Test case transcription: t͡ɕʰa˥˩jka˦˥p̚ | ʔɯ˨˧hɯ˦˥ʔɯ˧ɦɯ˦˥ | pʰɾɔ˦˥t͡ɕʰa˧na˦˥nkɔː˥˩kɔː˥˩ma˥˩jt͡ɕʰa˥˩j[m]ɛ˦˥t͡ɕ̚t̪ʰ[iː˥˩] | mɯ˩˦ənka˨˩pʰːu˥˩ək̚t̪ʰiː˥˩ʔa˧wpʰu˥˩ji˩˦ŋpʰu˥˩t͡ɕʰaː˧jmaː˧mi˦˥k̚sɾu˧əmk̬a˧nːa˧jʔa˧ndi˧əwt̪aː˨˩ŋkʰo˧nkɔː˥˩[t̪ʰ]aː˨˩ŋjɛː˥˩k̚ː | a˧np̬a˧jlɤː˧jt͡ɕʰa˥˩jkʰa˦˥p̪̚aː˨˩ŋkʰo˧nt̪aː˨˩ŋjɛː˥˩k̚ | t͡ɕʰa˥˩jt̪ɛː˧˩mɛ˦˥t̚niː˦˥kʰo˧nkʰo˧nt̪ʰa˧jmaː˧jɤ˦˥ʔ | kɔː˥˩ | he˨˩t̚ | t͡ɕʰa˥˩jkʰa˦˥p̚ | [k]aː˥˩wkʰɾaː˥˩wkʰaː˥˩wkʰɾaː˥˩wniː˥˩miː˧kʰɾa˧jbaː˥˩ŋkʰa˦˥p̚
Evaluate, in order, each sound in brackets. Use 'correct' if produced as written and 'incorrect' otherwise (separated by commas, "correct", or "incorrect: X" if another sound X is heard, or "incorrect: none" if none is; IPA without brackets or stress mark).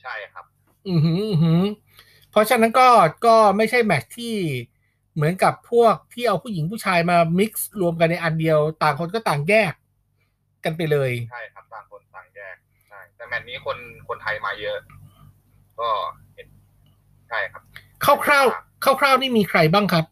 correct, correct, incorrect: t̪, incorrect: kʰ